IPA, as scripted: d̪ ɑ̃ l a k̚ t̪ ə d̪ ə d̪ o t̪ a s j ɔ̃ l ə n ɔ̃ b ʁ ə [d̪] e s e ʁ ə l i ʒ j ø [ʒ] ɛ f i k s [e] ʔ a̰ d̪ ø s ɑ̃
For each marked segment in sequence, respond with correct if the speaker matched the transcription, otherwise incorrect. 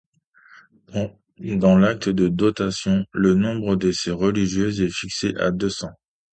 correct, incorrect: z, correct

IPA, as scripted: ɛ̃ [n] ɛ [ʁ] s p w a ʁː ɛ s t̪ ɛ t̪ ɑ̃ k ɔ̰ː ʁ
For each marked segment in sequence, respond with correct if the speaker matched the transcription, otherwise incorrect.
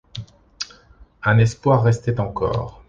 correct, incorrect: none

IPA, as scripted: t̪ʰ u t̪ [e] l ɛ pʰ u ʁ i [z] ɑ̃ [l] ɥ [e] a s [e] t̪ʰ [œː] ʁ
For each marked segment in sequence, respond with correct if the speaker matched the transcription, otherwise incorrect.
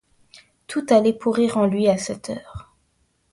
incorrect: a, incorrect: ʁ, correct, incorrect: i, incorrect: ɛ, correct

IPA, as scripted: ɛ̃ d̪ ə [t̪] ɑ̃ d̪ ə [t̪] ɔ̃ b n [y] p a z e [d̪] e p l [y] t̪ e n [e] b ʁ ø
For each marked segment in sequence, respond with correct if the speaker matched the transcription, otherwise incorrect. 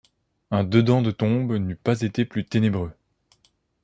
incorrect: d̪, correct, correct, incorrect: t̪, correct, correct

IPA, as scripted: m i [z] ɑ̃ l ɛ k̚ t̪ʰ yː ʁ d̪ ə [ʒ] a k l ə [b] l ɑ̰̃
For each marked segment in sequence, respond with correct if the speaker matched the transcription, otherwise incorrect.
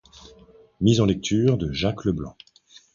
correct, correct, correct

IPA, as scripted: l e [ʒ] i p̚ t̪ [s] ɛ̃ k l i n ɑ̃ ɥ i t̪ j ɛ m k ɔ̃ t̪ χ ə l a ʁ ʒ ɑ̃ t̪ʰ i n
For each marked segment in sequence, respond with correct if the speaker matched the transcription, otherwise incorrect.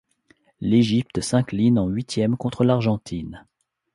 correct, correct

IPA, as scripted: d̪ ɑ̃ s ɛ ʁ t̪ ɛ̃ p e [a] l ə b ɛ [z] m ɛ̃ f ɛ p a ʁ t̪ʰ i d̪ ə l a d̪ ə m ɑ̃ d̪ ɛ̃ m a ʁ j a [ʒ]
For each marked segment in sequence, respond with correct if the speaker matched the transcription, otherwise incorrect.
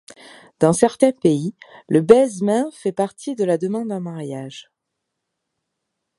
incorrect: i, correct, correct

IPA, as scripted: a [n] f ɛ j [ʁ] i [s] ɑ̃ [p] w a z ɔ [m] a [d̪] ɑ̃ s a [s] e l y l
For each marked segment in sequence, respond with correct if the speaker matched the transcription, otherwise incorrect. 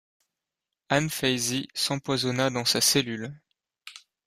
correct, incorrect: z, correct, correct, incorrect: n, correct, correct

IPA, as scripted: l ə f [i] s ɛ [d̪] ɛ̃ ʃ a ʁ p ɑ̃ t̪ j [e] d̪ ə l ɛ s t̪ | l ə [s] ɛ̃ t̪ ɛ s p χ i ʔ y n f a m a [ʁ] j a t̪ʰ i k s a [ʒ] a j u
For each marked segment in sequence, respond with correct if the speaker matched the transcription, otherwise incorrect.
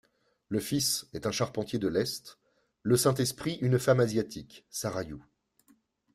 correct, incorrect: t̪, correct, correct, incorrect: z, incorrect: ʁ

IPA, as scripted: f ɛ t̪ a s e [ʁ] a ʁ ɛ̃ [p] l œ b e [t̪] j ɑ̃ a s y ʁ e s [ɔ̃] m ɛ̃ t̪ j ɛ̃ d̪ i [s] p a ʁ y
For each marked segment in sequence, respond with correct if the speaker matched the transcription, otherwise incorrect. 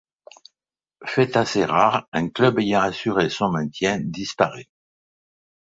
correct, incorrect: k, incorrect: none, correct, correct

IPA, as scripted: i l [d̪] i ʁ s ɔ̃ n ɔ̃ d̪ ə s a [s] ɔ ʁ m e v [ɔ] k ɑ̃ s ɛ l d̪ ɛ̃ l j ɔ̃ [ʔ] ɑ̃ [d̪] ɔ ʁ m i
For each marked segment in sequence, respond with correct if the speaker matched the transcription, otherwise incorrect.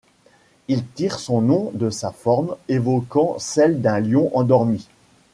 incorrect: t̪, incorrect: f, correct, correct, correct

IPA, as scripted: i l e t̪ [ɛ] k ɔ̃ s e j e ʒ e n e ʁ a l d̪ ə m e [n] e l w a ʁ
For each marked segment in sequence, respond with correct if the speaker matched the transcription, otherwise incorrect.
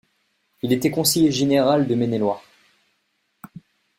correct, correct

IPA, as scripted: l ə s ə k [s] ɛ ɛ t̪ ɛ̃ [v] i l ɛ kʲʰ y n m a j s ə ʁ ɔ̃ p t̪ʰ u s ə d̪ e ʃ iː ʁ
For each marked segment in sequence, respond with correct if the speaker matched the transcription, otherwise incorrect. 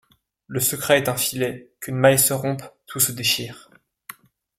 incorrect: χ, incorrect: f

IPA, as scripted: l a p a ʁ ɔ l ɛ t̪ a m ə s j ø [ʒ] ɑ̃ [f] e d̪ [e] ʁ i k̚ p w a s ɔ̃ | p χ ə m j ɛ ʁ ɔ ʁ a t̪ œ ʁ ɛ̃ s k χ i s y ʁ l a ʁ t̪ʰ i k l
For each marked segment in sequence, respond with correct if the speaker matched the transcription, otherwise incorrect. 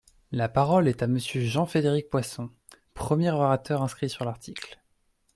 correct, correct, correct

